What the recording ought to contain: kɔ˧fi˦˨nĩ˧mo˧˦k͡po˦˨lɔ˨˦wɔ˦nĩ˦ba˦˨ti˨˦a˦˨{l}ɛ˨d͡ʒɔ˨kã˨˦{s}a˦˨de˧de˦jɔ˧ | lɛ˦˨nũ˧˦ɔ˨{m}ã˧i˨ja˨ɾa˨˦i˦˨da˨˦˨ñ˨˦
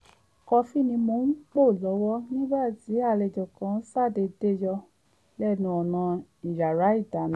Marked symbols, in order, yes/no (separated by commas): yes, yes, no